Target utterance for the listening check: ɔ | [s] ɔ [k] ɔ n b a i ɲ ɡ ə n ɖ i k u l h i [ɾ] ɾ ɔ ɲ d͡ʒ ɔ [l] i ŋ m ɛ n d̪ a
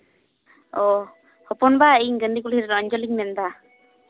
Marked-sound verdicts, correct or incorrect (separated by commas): incorrect, incorrect, correct, correct